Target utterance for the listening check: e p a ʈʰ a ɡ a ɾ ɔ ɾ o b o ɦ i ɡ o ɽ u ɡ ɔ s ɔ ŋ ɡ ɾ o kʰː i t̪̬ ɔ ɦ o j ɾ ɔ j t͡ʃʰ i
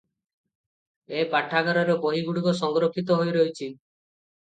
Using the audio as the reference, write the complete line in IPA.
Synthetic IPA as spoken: e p a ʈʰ a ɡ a ɾ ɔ ɾ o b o ɦ i ɡ u ɽ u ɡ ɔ s ɔ ŋ ɡ ɾ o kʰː i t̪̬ ɔ ɦ o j ɾ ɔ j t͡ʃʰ i